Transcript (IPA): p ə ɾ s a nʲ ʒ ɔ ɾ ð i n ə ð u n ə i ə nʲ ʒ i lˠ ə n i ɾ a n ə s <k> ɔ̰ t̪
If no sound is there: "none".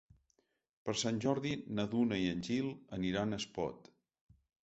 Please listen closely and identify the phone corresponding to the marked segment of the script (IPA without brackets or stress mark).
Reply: p